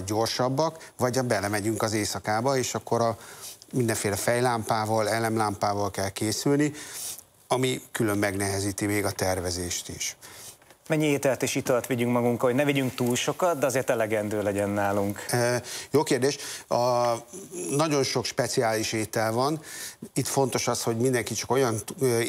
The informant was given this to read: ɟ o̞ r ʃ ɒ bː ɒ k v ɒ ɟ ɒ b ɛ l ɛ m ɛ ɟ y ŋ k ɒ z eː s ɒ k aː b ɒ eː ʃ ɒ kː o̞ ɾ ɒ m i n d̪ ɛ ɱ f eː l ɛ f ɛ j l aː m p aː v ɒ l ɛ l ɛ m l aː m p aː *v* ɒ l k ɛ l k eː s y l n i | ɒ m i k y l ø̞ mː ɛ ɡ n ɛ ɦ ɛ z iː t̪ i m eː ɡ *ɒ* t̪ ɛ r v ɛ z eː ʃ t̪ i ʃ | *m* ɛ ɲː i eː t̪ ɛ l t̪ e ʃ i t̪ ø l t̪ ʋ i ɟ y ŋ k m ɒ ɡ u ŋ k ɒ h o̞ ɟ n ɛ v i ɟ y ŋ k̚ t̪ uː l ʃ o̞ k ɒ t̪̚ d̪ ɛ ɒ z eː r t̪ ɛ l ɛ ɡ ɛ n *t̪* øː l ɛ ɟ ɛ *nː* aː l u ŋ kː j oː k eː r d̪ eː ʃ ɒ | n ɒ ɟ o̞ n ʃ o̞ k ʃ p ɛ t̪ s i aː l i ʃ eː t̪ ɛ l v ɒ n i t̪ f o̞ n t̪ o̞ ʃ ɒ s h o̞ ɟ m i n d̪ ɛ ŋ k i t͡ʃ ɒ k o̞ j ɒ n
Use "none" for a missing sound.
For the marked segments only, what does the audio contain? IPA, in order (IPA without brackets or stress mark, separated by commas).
v, ɒ, m, d̪, nː